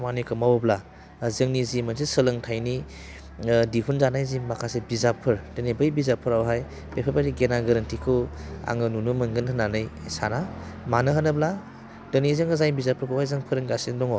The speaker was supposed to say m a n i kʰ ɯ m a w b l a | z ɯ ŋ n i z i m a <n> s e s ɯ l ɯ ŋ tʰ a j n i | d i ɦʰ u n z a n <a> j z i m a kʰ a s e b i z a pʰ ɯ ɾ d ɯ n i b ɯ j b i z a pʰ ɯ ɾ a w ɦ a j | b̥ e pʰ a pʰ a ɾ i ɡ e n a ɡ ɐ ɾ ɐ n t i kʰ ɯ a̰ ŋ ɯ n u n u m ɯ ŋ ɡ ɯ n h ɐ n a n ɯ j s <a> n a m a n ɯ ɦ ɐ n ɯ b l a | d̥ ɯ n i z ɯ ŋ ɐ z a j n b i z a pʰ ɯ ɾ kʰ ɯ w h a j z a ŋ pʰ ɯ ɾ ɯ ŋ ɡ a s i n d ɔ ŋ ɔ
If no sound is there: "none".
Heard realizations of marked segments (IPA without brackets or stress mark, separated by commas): n, a, a